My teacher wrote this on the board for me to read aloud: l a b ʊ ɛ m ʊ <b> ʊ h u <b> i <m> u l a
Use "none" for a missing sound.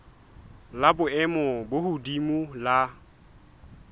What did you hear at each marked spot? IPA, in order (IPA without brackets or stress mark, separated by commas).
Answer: b, d, m